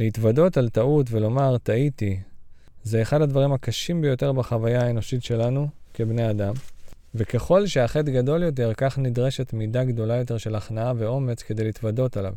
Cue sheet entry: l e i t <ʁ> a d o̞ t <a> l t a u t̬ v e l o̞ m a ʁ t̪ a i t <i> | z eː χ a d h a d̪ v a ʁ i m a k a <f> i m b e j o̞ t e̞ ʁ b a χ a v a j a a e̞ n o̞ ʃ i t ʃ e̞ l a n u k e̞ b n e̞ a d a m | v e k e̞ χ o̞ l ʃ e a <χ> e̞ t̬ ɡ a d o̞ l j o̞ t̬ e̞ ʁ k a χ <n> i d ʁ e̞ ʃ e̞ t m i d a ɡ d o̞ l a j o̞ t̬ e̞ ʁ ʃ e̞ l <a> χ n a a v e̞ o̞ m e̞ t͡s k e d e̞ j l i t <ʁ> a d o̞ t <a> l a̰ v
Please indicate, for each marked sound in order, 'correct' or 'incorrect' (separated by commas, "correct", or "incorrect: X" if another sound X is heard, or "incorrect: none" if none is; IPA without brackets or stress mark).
incorrect: v, correct, correct, incorrect: ʃ, correct, correct, correct, incorrect: v, correct